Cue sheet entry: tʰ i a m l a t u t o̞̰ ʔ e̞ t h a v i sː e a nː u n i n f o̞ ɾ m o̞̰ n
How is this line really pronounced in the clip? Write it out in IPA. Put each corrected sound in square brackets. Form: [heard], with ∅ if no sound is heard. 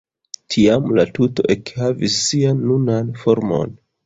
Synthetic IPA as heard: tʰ i a m l a t u t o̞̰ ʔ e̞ [k] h a v i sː [i] a nː u n [a] n f o̞ ɾ m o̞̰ n